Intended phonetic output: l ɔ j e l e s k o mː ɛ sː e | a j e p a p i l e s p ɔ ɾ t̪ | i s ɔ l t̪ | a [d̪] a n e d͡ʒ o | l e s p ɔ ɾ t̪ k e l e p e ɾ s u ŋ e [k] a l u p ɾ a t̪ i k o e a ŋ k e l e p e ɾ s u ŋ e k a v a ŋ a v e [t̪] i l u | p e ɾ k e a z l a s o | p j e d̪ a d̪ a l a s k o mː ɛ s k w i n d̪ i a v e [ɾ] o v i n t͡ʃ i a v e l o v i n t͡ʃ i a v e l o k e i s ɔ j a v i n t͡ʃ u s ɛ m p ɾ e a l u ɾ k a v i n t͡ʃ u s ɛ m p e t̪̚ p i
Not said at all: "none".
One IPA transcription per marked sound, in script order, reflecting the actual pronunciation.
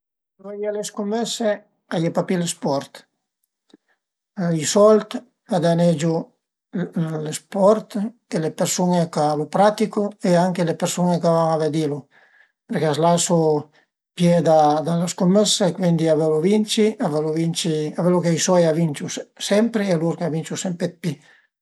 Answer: d̪, k, d̪, l

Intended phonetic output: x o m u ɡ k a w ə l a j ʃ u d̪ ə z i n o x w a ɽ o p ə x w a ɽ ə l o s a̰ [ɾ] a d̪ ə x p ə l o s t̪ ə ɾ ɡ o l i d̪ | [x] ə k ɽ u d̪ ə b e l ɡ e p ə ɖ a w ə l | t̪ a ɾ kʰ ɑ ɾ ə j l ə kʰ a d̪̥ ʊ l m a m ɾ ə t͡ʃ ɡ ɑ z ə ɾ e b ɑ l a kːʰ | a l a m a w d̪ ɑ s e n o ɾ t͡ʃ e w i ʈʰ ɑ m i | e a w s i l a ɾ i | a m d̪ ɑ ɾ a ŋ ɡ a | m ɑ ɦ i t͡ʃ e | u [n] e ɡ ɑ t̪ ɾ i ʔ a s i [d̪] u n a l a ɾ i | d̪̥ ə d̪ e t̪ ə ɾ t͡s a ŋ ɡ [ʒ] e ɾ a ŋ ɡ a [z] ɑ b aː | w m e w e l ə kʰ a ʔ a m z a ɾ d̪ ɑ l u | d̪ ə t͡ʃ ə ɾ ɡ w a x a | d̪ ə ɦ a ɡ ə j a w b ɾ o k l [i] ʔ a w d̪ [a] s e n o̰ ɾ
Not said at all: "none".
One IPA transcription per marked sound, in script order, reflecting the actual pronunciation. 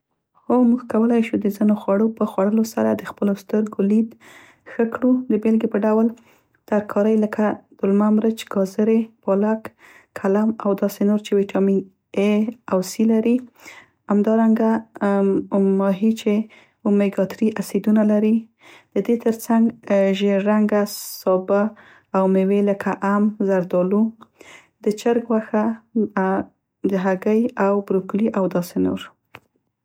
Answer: ɾ, x, m, d̪, ʒ, s, i, ɑ

